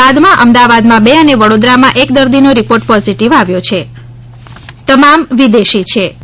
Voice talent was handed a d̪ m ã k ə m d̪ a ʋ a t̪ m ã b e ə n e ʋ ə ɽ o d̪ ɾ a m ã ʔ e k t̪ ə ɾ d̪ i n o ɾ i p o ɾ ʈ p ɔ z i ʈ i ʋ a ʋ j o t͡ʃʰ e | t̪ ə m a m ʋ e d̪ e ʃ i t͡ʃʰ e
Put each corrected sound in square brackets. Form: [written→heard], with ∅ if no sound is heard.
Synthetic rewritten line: a d̪ m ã [k→ʔ] ə m d̪ a ʋ a [t̪→d̪] m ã b e ə n e ʋ ə ɽ o d̪ ɾ a m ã ʔ e k [t̪→d̪] ə ɾ d̪ i n o ɾ i p o ɾ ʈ p ɔ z i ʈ i ʋ a ʋ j o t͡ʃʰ e | t̪ ə m a m ʋ [e→i] d̪ e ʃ i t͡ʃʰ e

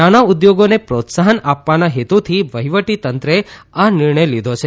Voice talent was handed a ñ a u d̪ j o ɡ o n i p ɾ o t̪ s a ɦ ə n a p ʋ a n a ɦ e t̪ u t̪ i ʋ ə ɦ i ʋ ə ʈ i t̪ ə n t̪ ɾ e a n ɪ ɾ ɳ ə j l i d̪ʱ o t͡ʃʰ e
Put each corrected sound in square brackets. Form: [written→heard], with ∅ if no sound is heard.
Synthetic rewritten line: a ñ a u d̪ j o ɡ o n [i→e] p ɾ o t̪ s a ɦ ə n a p ʋ a n a ɦ e t̪ u [t̪→t̪ʰ] i ʋ ə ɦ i ʋ ə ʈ i t̪ ə n t̪ ɾ e a n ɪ ɾ ɳ ə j l i d̪ʱ o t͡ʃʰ e

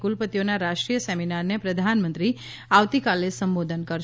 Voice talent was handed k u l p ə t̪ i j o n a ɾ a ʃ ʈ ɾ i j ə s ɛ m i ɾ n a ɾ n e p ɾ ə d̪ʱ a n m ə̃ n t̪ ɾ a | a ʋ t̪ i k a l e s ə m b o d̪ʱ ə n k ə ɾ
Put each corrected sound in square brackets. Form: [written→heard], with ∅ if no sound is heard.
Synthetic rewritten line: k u l p ə t̪ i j o n a ɾ a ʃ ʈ ɾ i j ə s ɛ m i [ɾ→∅] n a ɾ n e p ɾ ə d̪ʱ a n m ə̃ n t̪ ɾ [a→i] | a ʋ t̪ i k a l e s ə m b o d̪ʱ ə n k ə ɾ

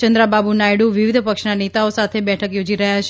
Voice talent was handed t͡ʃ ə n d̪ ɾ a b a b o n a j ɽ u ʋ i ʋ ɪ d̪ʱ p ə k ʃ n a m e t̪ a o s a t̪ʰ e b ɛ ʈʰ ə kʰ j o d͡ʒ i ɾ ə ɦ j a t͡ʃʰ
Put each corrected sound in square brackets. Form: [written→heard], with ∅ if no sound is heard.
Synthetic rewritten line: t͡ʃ ə n d̪ ɾ a b a b [o→u] n a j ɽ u ʋ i ʋ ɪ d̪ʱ p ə k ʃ n a [m→n] e t̪ a o s a t̪ʰ e b ɛ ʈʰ ə [kʰ→k] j o d͡ʒ i ɾ ə ɦ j a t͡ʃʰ

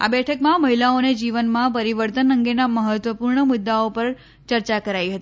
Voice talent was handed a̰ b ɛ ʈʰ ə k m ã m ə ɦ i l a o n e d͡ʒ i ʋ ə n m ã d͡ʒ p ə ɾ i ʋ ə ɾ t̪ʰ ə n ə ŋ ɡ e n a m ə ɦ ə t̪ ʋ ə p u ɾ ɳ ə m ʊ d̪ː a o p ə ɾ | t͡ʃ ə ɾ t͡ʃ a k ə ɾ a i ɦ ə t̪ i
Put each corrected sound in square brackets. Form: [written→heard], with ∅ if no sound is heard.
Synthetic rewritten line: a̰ b ɛ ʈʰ ə k m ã m ə ɦ i l a o n e d͡ʒ i ʋ ə n m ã [d͡ʒ→∅] p ə ɾ i ʋ ə ɾ [t̪ʰ→t̪] ə n ə ŋ ɡ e n a m ə ɦ ə t̪ ʋ ə p u ɾ ɳ ə m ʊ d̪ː a o p ə ɾ | t͡ʃ ə ɾ t͡ʃ a k ə ɾ a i ɦ ə t̪ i

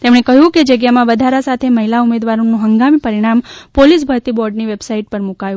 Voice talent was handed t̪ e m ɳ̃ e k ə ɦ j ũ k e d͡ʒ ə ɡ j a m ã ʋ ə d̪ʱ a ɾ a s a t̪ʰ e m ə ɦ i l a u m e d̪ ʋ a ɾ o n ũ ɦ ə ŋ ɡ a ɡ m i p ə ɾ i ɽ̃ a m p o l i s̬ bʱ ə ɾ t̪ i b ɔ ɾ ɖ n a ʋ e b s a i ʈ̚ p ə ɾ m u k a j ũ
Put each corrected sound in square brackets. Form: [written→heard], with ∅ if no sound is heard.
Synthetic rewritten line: t̪ e m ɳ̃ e k ə ɦ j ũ k e d͡ʒ ə ɡ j a m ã ʋ ə d̪ʱ a ɾ a s a t̪ʰ e m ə ɦ i l a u m e d̪ ʋ a ɾ o n ũ ɦ ə ŋ ɡ a [ɡ→∅] m i p ə ɾ i ɽ̃ a m p o l i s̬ bʱ ə ɾ t̪ i b ɔ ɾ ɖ n [a→i] ʋ e b s a i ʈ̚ p ə ɾ m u k a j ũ

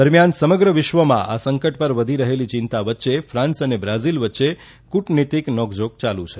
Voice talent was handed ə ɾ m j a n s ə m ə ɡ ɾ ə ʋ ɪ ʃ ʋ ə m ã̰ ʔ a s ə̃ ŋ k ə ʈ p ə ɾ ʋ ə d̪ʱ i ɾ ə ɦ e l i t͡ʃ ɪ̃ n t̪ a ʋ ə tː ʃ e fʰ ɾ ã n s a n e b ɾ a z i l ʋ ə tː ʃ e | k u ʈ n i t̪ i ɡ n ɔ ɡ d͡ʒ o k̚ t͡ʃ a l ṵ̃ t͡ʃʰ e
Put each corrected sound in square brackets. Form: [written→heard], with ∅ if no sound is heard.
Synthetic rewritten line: ə ɾ m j a n s ə m ə ɡ ɾ ə ʋ ɪ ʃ ʋ ə m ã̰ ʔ a s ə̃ ŋ k ə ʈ p ə ɾ ʋ ə d̪ʱ i ɾ ə ɦ e l i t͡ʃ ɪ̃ n t̪ a ʋ ə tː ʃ e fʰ ɾ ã n s [a→ə] n e b ɾ a z i l ʋ ə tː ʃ e | k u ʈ n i t̪ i [ɡ→k] n ɔ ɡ d͡ʒ o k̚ t͡ʃ a l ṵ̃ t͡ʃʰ e

